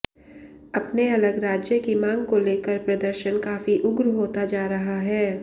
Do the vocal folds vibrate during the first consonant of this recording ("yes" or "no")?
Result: no